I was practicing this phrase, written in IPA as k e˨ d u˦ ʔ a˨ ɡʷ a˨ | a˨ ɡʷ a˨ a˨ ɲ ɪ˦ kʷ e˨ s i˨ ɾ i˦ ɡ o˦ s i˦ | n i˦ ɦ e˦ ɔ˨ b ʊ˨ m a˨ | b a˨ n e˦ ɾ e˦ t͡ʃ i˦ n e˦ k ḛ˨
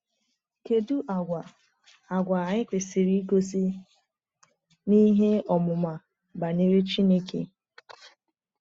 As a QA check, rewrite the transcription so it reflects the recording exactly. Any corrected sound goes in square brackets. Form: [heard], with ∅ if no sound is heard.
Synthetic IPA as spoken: k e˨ d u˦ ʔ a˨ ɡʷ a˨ | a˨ ɡʷ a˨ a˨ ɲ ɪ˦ kʷ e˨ s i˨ ɾ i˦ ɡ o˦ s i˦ | n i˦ ɦ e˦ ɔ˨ [m] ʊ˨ m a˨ | b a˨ n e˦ ɾ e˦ t͡ʃ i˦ n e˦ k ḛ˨